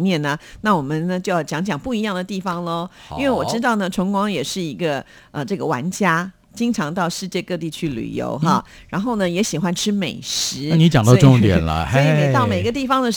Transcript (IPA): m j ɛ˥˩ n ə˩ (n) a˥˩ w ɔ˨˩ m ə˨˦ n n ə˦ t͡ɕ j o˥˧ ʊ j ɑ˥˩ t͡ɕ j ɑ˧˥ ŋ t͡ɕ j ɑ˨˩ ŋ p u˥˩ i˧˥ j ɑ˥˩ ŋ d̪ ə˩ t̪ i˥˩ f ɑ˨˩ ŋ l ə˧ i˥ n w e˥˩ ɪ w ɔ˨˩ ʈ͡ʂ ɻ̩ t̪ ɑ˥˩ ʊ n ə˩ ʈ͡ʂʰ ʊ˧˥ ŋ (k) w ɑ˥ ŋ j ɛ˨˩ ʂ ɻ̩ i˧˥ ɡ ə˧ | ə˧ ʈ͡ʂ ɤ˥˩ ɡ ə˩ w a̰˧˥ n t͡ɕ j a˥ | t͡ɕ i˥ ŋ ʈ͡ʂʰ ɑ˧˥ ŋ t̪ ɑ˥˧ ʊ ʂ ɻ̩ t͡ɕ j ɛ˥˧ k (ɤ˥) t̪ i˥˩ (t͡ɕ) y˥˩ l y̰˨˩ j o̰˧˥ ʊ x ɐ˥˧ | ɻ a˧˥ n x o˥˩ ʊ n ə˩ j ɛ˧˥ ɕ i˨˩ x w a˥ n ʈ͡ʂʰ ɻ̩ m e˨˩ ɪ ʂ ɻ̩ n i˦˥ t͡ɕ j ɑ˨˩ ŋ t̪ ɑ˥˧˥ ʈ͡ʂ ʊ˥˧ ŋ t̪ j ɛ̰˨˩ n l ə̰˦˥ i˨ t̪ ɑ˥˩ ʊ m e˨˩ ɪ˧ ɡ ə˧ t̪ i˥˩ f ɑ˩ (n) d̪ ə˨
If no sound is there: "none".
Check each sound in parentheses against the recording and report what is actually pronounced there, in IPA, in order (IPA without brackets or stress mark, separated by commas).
n, k, ɤ˥˧, t͡ɕʰ, ŋ